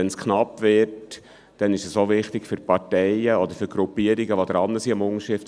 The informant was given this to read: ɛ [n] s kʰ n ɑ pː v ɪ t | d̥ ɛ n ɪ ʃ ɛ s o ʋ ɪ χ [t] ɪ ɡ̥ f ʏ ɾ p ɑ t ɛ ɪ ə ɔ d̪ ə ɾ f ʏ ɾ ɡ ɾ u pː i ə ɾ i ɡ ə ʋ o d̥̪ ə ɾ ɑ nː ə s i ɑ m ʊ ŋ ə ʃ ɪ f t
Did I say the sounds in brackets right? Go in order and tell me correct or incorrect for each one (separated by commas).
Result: correct, correct